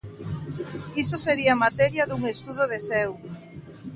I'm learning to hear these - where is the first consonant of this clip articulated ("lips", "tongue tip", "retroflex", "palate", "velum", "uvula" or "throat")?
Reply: tongue tip